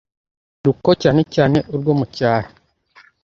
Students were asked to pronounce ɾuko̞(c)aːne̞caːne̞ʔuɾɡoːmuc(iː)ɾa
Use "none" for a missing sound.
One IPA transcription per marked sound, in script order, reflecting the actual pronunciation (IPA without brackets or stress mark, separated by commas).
c, aː